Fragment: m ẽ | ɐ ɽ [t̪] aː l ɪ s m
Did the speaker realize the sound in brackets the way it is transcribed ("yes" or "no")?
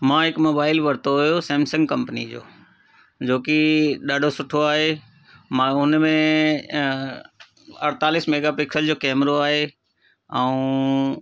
yes